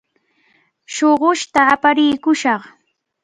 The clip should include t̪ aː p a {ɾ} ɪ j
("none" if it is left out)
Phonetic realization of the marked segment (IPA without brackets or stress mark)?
ɾ